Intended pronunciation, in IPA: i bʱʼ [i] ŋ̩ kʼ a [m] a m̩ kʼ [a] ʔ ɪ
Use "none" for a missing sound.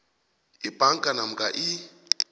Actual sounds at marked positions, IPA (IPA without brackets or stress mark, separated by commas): a, n, a